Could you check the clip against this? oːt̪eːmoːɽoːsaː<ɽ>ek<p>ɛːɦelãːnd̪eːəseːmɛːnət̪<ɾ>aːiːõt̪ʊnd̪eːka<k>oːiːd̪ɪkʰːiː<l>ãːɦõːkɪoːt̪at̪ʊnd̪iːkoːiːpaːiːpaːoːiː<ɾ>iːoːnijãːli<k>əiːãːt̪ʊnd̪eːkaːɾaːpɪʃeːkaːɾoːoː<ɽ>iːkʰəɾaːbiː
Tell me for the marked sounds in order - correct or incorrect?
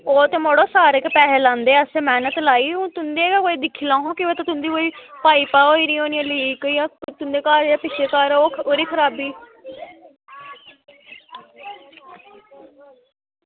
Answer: incorrect, correct, incorrect, correct, correct, correct, correct, incorrect

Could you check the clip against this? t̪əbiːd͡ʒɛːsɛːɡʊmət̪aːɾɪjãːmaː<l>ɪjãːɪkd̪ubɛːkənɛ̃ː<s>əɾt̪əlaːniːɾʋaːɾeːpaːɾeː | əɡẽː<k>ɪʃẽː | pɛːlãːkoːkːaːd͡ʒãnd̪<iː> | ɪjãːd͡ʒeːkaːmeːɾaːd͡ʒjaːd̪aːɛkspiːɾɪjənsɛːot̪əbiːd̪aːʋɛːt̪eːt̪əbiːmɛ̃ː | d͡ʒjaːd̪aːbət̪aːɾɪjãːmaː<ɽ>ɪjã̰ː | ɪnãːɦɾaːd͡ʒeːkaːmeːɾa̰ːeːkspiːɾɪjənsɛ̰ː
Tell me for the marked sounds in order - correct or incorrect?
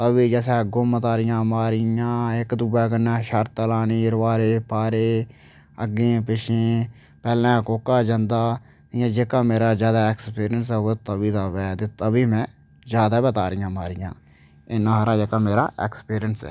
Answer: incorrect, incorrect, incorrect, incorrect, incorrect

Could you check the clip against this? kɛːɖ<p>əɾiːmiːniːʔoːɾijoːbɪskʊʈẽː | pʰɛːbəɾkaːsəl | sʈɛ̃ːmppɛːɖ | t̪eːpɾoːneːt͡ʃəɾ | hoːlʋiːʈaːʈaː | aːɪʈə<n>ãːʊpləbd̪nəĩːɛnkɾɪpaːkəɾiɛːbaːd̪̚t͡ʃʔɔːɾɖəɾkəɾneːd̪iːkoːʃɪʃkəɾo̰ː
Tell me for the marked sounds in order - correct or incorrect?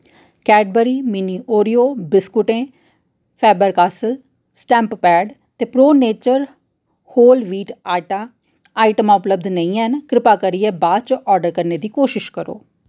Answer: incorrect, incorrect

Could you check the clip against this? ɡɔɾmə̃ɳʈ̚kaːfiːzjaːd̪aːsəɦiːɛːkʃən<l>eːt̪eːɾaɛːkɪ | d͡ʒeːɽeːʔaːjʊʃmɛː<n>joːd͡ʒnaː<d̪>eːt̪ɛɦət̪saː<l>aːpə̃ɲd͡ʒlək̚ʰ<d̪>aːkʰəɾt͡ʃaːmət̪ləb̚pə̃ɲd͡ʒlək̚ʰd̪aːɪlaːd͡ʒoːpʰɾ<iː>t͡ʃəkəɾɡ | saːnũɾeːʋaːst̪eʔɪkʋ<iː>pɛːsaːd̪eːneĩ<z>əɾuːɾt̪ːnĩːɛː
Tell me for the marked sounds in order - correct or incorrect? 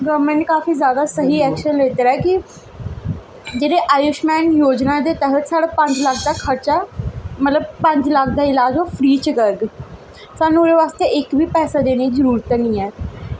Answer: correct, correct, correct, incorrect, correct, correct, correct, correct

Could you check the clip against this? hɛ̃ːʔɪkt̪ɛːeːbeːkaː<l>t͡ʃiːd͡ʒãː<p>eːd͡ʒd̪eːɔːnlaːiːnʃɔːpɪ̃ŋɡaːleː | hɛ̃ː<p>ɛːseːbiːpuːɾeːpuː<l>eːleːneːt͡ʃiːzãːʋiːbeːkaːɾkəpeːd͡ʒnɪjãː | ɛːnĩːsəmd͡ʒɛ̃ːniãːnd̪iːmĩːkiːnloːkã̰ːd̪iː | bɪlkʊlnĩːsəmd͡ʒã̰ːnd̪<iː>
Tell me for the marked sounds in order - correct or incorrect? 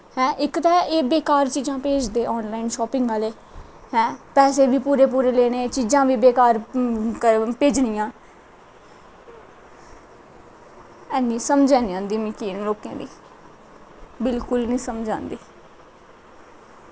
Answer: incorrect, correct, correct, incorrect, correct

